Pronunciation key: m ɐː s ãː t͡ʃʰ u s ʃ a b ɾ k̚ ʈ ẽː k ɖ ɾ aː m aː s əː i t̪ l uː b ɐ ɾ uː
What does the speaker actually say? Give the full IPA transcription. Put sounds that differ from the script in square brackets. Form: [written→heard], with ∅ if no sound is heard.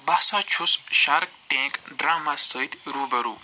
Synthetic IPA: [m→b] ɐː s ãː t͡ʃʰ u s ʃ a [b→∅] ɾ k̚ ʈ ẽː k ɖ ɾ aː m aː s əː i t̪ [l→ɾ] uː b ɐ ɾ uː